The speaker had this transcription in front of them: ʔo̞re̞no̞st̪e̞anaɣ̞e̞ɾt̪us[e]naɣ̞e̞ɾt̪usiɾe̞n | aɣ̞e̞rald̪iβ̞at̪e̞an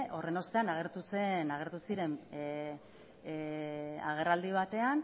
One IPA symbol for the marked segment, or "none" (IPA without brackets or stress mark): e